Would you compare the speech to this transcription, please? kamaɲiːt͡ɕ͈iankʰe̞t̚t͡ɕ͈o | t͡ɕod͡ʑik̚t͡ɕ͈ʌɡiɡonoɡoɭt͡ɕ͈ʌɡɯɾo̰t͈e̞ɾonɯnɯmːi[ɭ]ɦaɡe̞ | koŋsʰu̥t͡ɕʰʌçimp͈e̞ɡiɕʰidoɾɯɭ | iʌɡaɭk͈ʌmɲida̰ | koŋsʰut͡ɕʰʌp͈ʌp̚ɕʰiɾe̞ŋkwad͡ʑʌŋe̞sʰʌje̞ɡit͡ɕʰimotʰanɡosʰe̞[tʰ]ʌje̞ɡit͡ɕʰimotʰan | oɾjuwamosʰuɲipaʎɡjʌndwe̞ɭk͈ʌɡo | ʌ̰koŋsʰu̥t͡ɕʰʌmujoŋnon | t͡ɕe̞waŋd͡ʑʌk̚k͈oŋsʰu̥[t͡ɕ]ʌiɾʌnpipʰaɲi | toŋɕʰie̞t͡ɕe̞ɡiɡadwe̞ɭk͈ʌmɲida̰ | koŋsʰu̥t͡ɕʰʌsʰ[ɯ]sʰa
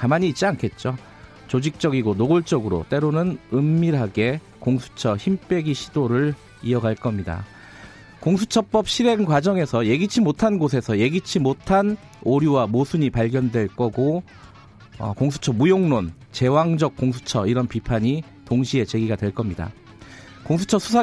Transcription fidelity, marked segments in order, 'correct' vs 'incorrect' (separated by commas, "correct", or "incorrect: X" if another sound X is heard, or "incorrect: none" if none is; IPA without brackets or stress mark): incorrect: ɾ, incorrect: sʰ, incorrect: t͡ɕʰ, incorrect: u